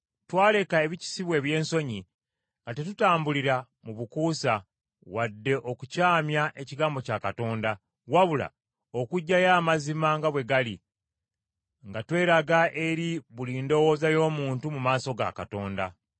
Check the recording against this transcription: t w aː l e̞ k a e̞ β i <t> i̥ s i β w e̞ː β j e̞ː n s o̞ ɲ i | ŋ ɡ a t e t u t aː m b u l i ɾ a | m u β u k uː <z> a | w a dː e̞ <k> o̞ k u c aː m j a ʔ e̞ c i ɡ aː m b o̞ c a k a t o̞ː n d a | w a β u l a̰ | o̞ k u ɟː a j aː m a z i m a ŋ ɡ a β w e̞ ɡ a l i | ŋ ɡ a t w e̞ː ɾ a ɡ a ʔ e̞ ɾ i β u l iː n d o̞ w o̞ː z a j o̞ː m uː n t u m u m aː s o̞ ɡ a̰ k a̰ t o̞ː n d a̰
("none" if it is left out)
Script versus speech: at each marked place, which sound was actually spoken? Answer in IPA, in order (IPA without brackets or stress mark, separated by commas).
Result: c, s, ʔ